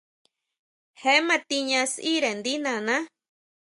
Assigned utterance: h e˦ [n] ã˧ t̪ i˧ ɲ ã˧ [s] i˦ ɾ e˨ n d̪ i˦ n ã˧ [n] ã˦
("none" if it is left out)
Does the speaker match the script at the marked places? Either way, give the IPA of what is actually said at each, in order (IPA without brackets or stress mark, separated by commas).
m, s, n